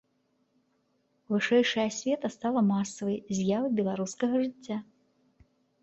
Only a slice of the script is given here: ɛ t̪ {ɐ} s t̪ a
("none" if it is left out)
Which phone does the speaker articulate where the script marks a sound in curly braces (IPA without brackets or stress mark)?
ɐ